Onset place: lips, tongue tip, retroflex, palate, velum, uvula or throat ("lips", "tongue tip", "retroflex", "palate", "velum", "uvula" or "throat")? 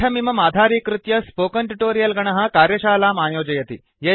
lips